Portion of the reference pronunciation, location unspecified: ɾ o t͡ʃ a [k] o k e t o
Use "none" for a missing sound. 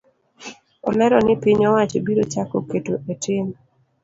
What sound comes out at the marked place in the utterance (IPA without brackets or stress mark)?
k